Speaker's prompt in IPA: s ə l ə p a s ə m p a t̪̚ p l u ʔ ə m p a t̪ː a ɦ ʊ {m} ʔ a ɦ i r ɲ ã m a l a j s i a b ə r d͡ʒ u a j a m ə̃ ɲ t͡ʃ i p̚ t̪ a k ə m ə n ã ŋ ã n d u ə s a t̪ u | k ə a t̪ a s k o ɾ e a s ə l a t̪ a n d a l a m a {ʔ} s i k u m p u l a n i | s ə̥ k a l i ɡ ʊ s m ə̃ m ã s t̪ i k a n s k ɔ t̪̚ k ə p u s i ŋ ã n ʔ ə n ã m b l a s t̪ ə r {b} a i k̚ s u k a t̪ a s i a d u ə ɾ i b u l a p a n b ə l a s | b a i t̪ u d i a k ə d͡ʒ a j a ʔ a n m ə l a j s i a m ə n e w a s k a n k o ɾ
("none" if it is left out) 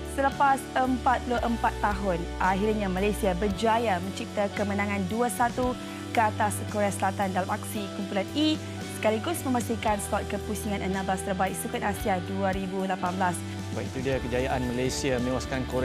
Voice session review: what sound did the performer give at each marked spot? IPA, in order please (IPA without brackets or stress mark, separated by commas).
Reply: n, k, b